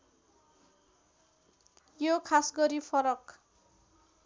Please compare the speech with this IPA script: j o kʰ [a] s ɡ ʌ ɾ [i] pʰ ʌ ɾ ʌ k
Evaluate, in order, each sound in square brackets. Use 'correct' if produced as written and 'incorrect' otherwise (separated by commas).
correct, correct